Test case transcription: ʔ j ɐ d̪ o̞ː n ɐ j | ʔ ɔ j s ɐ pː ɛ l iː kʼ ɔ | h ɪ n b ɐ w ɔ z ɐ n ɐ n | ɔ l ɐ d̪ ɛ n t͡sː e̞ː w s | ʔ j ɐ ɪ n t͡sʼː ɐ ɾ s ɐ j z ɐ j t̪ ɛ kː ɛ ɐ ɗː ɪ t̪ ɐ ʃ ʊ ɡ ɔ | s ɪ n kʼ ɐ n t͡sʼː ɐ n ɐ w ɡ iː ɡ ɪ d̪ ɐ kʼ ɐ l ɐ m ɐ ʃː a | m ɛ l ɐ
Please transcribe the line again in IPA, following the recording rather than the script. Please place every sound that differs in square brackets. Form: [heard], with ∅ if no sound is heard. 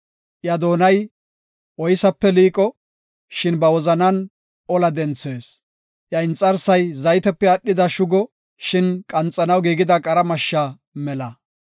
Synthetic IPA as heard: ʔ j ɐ d̪ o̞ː n ɐ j | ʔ ɔ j s ɐ pː ɛ l iː kʼ ɔ | [ʃ] ɪ n b ɐ w ɔ z ɐ n ɐ n | ɔ l ɐ d̪ ɛ n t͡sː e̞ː [∅] s | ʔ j ɐ ɪ n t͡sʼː ɐ ɾ s ɐ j z ɐ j t̪ ɛ [pː] ɛ ɐ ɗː ɪ [d̪] ɐ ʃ ʊ ɡ ɔ | [ʃ] ɪ n kʼ ɐ n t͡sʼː ɐ n ɐ w ɡ iː ɡ ɪ d̪ ɐ kʼ ɐ [ɾ] ɐ m ɐ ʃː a | m ɛ l ɐ